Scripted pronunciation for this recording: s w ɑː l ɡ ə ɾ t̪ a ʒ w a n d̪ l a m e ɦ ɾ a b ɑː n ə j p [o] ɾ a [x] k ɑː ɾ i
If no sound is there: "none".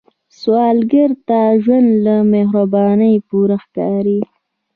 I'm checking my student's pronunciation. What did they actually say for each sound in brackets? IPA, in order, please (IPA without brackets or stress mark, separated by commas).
u, x